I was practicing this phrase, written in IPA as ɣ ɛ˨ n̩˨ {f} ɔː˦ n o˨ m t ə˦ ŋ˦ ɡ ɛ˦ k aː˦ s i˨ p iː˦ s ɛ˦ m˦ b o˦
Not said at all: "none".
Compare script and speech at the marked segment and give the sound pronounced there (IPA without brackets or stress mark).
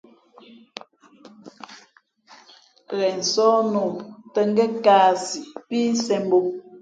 s